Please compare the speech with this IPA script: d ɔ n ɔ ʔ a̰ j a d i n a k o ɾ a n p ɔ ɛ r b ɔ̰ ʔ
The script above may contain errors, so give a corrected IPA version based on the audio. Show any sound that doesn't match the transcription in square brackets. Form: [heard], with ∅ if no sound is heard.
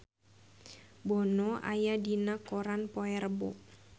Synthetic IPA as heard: [b] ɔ n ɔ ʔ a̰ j a d i n a k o ɾ a n p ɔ ɛ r b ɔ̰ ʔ